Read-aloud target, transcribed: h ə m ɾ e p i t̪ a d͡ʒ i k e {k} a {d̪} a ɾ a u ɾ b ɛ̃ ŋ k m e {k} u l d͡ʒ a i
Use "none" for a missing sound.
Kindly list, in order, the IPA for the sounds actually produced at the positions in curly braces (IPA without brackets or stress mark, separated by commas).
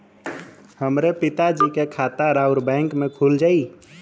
kʰ, t̪, kʰ